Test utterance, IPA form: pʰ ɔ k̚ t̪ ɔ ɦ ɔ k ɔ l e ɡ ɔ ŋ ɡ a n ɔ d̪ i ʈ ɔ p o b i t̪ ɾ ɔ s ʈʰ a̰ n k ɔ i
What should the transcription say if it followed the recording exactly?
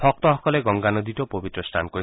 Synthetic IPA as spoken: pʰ ɔ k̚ t̪ ɔ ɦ ɔ k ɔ l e ɡ ɔ ŋ ɡ a n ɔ d̪ i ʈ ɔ p o b i t̪ ɾ ɔ s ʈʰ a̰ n k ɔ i